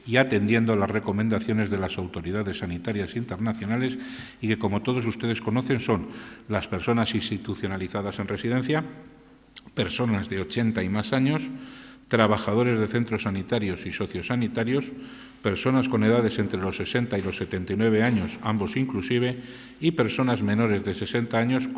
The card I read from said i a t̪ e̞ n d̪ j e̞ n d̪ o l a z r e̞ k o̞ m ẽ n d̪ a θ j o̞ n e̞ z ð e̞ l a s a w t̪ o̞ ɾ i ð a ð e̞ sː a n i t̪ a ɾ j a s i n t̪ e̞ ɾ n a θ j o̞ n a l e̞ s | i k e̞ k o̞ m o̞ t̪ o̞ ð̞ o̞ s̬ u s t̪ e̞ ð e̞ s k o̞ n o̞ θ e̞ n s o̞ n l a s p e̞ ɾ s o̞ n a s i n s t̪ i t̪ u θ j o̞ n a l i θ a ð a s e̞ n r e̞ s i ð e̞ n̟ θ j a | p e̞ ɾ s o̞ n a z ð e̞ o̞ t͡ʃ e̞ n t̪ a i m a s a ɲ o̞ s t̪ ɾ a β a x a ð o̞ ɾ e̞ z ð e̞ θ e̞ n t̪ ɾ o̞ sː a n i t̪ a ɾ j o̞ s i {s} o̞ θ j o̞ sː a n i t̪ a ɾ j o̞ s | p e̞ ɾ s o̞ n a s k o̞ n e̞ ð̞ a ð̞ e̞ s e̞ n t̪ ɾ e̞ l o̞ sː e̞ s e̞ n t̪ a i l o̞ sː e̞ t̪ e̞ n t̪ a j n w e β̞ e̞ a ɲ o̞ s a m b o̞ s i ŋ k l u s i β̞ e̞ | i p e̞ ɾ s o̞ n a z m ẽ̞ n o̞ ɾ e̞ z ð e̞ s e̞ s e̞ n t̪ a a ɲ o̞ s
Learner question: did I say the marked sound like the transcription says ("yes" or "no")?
yes